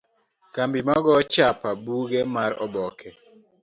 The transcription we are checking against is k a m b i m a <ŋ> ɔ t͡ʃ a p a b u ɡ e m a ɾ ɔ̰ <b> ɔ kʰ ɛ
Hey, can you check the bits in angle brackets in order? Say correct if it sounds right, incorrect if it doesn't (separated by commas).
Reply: incorrect, correct